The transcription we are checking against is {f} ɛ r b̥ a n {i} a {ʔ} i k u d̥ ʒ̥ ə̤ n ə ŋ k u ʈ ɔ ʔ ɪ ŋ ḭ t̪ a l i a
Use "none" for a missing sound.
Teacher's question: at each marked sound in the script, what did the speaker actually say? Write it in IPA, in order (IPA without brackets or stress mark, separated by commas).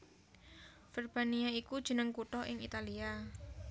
f, i, none